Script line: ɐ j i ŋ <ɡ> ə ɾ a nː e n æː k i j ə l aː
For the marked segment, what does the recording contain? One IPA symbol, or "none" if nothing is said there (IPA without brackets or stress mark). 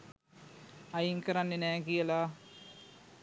k